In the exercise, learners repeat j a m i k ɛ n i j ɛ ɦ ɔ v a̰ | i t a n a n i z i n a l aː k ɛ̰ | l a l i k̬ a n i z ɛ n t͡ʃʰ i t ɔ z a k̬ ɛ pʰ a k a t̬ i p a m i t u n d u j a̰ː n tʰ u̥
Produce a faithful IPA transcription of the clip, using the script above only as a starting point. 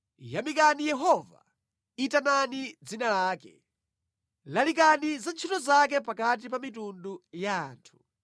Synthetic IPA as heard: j a m i k a n i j ɛ ɦ ɔ v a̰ | i t a n a n i d͡z i n a l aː k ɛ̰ | l a l i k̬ a n i z a n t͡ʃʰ i t ɔ z a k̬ ɛ p a k a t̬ i p a m i t u n d u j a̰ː n tʰ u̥